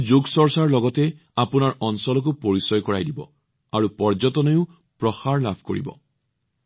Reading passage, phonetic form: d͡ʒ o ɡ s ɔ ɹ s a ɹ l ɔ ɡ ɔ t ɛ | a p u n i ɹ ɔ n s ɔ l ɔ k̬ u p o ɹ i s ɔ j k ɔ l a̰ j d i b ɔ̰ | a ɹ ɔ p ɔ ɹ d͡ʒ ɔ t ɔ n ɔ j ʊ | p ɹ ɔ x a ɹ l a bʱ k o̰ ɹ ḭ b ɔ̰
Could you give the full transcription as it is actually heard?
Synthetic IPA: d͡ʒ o ɡ s ɔ ɹ s a ɹ l ɔ ɡ ɔ t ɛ | a p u n a ɹ ɔ n s ɔ l ɔ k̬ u p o ɹ i s ɔ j k ɔ ɹ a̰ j d i b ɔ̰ | a ɹ u p ɔ ɹ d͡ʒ ɔ t ɔ n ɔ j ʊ | p ɹ ɔ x a ɹ l a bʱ k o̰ ɹ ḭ b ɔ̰